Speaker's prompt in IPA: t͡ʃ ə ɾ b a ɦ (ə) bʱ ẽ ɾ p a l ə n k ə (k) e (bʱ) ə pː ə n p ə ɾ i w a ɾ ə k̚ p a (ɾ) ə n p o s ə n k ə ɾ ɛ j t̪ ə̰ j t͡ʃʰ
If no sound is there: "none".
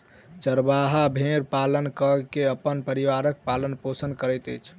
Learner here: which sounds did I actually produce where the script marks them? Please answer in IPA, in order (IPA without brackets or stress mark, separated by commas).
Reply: a, k, none, l